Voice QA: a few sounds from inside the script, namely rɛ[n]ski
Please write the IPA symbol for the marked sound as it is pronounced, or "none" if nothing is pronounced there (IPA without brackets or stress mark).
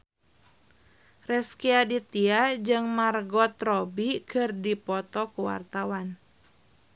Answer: none